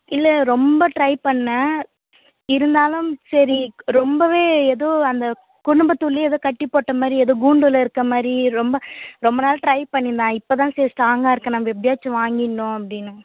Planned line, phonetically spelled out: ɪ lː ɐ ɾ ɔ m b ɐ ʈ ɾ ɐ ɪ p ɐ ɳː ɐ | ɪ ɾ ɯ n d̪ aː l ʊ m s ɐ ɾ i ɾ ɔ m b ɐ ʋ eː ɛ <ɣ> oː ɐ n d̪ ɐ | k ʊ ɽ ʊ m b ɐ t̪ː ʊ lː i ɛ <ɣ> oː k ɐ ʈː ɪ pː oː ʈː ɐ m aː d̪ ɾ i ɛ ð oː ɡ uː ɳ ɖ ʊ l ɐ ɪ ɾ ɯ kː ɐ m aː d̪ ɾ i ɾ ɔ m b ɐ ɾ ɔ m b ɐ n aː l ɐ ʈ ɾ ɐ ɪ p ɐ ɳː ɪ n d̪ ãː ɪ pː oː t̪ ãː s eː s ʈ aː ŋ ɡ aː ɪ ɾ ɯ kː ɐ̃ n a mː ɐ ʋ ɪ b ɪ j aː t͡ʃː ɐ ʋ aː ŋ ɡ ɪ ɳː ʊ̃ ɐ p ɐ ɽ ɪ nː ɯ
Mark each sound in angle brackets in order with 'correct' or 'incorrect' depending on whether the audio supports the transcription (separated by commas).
incorrect, incorrect